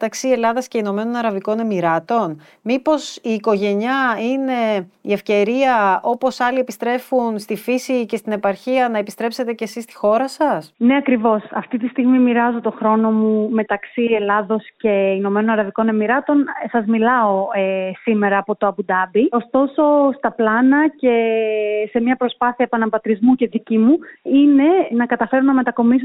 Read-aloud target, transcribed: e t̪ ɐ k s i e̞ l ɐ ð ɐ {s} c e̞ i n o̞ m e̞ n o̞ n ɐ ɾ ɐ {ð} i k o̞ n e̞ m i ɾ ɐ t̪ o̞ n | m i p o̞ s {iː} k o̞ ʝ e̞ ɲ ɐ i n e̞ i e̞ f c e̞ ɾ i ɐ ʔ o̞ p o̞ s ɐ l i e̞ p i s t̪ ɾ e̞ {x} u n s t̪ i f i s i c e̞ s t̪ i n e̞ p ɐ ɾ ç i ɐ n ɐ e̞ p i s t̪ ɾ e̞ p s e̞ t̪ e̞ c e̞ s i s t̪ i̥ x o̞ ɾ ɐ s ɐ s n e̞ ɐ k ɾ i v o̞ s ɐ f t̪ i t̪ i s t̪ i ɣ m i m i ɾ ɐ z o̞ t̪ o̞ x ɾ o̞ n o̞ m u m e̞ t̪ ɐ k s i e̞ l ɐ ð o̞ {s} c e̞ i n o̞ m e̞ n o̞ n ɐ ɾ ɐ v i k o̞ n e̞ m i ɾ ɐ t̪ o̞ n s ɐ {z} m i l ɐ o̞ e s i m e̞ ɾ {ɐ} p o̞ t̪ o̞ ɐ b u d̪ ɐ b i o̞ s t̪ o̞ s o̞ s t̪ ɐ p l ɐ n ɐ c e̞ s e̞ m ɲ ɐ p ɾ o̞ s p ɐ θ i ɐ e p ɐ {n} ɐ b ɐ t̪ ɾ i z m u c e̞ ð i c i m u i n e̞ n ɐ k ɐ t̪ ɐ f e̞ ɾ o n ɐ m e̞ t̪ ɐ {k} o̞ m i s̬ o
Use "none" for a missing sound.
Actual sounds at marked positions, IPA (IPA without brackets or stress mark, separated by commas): s, v, iː, f, s, z, ɐː, n, k